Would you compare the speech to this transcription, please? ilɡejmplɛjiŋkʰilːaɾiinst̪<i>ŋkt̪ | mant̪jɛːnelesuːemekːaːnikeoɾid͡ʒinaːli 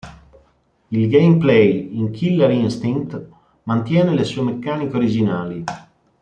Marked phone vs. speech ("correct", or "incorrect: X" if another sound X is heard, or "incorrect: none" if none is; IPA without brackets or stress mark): correct